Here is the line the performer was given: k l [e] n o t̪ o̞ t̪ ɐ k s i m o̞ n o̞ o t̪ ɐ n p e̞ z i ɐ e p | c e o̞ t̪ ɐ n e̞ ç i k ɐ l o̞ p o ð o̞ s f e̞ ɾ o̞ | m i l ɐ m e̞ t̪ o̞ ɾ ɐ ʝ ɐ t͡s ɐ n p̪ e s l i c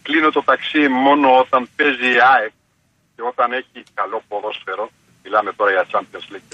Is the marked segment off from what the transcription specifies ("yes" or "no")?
yes